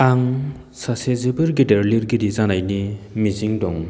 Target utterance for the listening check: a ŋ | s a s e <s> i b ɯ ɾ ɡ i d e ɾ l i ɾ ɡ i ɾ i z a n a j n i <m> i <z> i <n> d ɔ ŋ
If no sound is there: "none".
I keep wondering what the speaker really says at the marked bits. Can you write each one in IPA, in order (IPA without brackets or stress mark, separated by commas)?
z, m, z, ŋ